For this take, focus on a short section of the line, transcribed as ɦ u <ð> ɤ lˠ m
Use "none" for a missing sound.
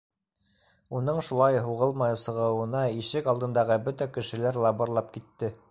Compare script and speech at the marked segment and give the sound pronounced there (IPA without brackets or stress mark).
ʁ